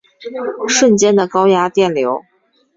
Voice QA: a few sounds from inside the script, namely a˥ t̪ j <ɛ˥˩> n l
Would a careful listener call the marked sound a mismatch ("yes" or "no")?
no